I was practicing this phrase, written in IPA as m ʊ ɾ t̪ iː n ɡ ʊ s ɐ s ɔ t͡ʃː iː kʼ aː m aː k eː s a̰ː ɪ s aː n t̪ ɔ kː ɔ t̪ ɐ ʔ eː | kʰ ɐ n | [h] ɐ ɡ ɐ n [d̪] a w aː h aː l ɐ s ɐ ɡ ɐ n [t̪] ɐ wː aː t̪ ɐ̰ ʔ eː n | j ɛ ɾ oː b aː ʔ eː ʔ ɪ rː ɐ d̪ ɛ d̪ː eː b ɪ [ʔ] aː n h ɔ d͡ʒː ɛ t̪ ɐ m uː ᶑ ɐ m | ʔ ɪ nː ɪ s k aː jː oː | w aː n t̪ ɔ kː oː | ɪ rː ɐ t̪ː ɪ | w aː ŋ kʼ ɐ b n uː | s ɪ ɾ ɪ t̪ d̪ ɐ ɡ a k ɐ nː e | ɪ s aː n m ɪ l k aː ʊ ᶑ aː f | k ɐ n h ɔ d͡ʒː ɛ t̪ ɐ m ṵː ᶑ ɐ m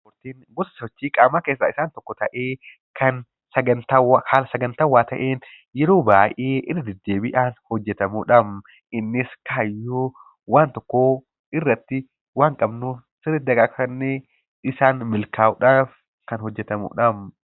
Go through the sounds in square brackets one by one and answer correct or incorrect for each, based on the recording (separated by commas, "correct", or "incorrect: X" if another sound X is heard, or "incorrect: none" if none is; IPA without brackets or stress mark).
incorrect: s, incorrect: t̪, correct, correct